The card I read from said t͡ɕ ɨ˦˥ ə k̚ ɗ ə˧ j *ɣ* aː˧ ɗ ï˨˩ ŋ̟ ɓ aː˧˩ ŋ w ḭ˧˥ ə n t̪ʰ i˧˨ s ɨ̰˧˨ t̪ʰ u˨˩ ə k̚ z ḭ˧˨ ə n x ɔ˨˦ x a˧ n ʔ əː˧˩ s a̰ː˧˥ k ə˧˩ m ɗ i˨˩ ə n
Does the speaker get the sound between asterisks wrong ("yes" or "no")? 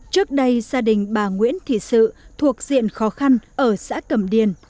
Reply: yes